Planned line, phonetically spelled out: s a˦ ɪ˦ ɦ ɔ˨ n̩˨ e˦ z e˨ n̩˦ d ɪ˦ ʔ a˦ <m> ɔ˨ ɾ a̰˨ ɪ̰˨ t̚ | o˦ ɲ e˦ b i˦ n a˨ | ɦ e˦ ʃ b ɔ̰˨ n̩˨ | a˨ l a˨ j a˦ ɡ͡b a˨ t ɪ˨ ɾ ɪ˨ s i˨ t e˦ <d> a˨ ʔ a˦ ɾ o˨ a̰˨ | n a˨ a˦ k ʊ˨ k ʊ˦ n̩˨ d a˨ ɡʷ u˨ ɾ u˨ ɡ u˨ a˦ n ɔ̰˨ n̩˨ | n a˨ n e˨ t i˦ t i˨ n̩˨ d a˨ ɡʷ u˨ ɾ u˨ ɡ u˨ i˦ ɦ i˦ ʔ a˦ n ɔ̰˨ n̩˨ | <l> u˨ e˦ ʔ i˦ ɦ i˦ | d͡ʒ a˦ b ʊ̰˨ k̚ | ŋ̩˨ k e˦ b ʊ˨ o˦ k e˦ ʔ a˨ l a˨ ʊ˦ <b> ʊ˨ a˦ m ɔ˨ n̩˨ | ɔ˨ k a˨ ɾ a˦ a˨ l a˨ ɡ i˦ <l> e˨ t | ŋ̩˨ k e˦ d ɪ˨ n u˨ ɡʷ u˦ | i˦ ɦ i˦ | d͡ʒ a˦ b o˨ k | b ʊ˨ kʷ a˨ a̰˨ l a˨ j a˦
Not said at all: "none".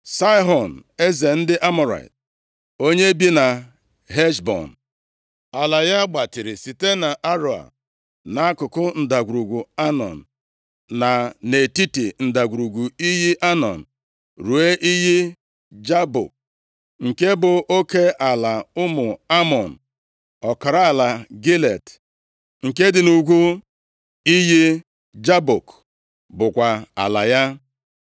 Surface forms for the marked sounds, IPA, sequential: m, n, ɾ, m, l

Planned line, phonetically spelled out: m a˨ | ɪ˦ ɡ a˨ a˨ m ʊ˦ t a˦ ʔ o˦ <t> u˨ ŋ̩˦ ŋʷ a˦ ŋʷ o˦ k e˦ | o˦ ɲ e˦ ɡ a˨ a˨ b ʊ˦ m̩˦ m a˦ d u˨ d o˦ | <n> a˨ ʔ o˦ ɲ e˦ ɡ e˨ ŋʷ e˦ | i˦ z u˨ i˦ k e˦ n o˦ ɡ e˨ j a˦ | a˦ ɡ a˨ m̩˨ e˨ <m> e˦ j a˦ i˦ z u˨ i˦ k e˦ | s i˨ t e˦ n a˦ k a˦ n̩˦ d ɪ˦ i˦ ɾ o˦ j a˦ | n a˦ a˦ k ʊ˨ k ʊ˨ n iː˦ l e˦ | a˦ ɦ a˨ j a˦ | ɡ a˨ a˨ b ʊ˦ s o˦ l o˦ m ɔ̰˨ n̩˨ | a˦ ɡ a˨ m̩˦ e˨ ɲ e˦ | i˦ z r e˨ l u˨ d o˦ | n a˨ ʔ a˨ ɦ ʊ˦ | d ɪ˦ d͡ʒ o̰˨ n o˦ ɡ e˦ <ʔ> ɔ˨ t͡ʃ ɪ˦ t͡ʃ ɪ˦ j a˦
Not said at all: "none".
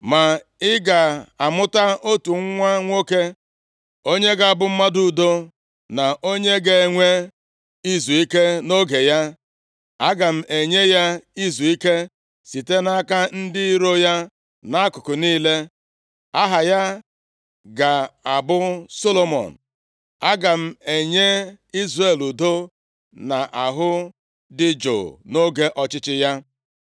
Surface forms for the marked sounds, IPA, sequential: t, n, ɲ, ʔ

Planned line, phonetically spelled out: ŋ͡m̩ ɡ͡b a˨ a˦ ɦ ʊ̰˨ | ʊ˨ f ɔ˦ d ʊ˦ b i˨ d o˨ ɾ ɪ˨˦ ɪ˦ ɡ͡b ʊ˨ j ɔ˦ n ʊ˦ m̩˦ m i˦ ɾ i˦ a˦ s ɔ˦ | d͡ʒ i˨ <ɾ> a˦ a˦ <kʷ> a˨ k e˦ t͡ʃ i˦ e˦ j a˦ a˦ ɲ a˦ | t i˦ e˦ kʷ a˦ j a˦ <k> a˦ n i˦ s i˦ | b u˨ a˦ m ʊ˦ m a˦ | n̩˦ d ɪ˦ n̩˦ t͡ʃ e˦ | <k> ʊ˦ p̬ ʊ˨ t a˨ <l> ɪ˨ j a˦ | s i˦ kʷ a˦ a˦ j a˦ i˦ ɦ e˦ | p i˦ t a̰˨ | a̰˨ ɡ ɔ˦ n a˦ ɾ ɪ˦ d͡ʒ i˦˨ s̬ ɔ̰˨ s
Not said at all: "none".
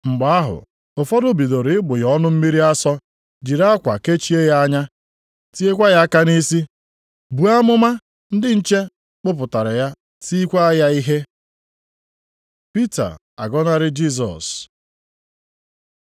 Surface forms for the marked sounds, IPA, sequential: ɾ, kʷ, k, k͡p, ɾ

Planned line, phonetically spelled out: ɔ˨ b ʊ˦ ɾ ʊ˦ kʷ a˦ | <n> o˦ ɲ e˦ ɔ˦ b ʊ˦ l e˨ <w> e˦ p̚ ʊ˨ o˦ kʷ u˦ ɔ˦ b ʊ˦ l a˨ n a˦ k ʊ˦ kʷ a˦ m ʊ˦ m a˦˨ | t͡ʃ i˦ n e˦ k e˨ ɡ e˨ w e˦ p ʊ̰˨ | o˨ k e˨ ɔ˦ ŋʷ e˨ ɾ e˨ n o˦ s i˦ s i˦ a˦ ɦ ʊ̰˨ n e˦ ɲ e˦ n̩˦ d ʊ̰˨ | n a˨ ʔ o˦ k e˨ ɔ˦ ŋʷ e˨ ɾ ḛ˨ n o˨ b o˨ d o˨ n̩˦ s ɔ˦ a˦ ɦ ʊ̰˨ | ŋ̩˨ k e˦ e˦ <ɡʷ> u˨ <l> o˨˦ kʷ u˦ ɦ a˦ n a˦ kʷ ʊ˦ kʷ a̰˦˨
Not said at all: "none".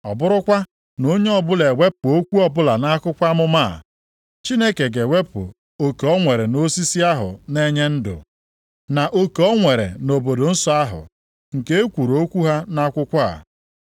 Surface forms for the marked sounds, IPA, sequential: n, w, kʷ, ɾ

